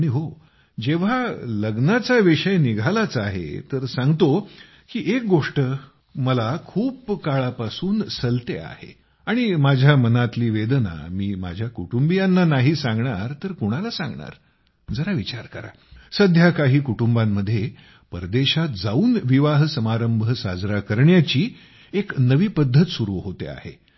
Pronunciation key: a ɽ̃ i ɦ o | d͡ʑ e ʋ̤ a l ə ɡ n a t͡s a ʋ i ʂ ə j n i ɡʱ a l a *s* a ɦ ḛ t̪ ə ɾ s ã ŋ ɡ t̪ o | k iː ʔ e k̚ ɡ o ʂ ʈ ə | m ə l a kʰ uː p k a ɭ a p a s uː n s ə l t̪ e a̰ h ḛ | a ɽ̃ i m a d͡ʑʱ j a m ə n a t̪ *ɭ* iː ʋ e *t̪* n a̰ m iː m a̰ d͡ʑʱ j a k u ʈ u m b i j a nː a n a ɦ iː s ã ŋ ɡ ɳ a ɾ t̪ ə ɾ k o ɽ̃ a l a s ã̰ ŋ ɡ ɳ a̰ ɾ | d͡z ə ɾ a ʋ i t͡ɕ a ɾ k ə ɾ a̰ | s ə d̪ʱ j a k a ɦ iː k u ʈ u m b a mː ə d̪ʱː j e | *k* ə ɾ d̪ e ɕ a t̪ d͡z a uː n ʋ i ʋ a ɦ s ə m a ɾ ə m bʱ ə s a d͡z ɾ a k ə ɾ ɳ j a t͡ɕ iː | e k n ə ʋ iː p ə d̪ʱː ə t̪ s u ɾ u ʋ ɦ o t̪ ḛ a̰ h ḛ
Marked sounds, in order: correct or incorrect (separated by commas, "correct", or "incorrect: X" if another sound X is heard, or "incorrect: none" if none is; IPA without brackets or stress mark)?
incorrect: t͡s, incorrect: l, incorrect: d̪, incorrect: p